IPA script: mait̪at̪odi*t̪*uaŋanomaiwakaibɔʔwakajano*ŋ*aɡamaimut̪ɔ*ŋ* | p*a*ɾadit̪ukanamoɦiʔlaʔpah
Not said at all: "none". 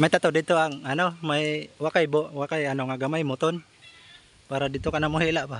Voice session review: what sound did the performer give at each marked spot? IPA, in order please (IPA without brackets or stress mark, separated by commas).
t̪, ŋ, n, a